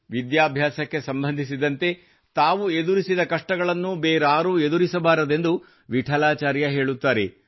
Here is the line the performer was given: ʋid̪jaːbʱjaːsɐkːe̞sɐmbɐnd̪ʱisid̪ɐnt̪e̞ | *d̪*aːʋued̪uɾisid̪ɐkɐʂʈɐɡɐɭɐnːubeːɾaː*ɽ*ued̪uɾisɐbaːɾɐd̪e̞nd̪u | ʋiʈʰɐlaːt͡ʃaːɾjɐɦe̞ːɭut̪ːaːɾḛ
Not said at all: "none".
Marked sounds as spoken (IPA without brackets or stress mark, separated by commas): t̪, ɾ